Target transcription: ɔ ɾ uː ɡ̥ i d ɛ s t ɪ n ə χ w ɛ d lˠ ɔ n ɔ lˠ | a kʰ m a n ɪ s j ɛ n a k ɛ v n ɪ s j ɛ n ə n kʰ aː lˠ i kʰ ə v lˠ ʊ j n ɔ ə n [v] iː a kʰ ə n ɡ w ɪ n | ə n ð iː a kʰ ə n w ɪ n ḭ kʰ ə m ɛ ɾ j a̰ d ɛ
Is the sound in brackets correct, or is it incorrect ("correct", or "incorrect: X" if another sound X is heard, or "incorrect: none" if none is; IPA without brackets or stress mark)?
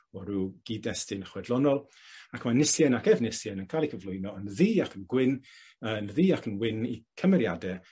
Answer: incorrect: ð